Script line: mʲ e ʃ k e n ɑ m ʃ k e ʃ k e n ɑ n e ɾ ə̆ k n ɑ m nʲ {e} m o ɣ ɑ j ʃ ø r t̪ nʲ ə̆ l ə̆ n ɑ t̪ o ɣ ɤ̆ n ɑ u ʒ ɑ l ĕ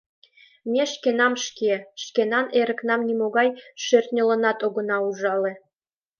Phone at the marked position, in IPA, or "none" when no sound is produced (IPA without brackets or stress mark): i